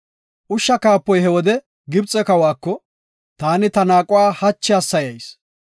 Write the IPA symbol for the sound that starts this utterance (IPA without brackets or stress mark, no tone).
ʔ